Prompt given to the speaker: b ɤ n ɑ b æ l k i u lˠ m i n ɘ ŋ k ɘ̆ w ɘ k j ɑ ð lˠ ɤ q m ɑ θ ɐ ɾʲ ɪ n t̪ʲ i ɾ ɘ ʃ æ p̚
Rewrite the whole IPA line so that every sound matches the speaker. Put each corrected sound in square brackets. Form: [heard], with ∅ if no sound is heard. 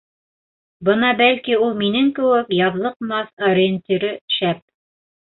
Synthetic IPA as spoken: b ɤ n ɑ b æ l k i u lˠ m i n ɘ ŋ k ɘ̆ w ɘ k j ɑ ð lˠ ɤ q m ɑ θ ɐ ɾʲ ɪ n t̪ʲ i ɾ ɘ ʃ æ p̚

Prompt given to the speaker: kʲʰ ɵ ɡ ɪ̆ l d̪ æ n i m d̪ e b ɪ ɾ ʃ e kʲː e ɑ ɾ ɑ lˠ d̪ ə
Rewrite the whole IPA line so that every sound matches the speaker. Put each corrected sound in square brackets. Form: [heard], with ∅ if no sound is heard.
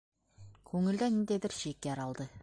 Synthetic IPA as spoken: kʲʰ ɵ [ŋ] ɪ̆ l d̪ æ n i [n] d̪ e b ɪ ɾ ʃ e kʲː e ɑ ɾ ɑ lˠ d̪ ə

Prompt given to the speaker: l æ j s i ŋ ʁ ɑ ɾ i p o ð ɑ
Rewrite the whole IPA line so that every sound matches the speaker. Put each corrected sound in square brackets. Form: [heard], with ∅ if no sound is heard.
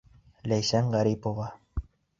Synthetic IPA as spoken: l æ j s [æ] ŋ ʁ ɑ ɾ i p o [v] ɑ

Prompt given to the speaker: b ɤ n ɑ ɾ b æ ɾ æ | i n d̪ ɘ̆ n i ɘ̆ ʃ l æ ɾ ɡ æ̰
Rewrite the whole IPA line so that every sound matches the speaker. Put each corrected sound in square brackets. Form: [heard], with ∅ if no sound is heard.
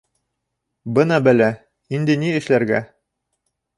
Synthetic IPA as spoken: b ɤ n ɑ [∅] b æ [l] æ | i n d̪ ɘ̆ n i ɘ̆ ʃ l æ ɾ ɡ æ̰

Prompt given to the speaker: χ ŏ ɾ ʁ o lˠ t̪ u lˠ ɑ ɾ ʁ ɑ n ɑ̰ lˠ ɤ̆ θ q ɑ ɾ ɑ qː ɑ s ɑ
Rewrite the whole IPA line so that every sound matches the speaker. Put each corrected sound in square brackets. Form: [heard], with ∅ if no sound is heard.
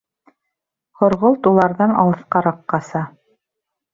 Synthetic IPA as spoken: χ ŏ ɾ ʁ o lˠ t̪ u lˠ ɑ ɾ [ð] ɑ n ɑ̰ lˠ ɤ̆ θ q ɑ ɾ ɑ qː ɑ s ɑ

